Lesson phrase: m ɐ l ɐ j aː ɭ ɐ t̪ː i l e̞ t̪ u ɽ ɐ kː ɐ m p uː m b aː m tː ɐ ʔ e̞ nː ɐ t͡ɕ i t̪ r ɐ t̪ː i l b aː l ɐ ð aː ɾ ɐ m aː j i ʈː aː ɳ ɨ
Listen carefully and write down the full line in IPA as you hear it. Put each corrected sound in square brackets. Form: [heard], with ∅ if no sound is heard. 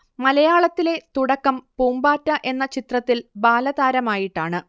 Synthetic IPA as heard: m ɐ l ɐ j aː ɭ ɐ t̪ː i l e̞ t̪ u ɽ ɐ kː ɐ m p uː m b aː [∅] tː ɐ ʔ e̞ nː ɐ t͡ɕ i t̪ r ɐ t̪ː i l b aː l ɐ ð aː ɾ ɐ m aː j i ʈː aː ɳ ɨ